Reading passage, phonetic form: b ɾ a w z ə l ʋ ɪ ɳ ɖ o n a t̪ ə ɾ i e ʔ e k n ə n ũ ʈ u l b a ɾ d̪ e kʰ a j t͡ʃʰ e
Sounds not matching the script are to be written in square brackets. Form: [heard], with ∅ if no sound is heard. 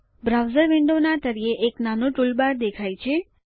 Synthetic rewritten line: b ɾ a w z ə [ɾ] ʋ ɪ ɳ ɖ o n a t̪ ə ɾ i e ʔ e k n [a] n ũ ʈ u l b a ɾ d̪ e kʰ a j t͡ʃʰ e